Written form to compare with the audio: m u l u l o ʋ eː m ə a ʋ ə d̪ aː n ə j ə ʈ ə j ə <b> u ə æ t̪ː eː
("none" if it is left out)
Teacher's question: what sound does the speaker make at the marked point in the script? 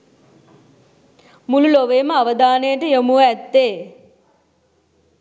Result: m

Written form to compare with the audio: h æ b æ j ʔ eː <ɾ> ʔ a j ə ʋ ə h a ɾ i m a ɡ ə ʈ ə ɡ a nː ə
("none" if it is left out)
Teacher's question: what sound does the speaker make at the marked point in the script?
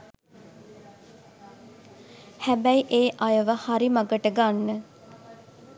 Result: none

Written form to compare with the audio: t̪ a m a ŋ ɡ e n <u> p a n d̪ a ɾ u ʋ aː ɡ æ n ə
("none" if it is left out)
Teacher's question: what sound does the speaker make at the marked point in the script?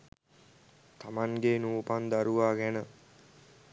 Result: uː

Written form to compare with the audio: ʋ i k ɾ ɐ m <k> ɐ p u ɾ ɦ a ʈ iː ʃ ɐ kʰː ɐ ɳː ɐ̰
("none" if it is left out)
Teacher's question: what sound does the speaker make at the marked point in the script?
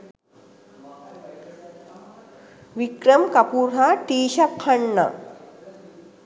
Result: k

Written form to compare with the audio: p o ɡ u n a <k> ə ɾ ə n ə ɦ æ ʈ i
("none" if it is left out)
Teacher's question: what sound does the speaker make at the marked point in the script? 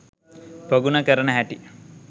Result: k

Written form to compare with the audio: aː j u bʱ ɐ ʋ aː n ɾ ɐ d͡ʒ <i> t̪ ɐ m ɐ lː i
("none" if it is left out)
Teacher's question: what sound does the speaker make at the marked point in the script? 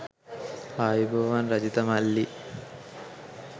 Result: i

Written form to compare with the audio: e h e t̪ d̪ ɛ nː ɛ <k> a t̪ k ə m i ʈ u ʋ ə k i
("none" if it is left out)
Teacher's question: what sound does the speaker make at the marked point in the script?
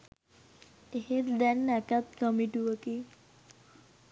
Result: k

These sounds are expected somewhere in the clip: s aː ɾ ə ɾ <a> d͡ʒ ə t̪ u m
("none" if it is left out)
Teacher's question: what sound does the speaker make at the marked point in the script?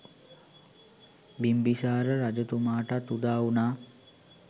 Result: a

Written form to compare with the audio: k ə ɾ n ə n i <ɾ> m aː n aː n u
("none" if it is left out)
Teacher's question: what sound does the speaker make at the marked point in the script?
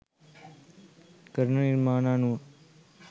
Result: ɾ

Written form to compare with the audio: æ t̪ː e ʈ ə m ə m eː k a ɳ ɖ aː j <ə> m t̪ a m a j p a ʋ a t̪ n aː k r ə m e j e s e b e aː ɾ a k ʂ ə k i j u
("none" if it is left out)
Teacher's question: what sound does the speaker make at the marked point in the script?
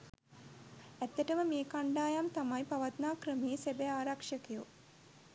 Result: a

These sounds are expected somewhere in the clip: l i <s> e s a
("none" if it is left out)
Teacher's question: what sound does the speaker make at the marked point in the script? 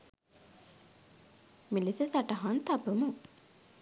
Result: s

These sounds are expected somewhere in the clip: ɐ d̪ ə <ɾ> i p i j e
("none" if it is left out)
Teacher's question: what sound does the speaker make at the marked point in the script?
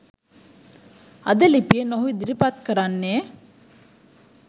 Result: l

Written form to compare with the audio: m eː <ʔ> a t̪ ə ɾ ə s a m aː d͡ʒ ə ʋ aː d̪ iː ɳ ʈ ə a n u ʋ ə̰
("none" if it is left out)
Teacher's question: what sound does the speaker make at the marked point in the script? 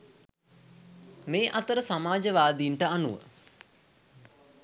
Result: ʔ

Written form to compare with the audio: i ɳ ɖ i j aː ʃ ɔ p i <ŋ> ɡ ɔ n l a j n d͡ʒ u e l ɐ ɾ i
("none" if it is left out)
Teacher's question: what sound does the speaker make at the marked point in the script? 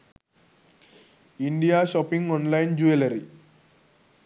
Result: ŋ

